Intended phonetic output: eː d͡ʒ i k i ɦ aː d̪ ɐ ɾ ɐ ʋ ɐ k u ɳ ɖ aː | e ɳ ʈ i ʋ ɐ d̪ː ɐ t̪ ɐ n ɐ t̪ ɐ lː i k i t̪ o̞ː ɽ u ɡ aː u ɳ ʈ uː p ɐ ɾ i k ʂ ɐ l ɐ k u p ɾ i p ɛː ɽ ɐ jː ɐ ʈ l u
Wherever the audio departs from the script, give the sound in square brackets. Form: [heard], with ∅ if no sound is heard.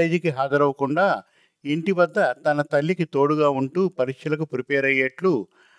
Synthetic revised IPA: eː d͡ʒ i k i ɦ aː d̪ ɐ ɾ ɐ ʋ ɐ k u ɳ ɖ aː | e ɳ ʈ i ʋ ɐ d̪ː ɐ t̪ ɐ n ɐ t̪ ɐ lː i k i t̪ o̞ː ɽ u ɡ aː u ɳ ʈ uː p ɐ ɾ i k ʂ ɐ l ɐ k u p ɾ i p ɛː [ɾ] ɐ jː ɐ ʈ l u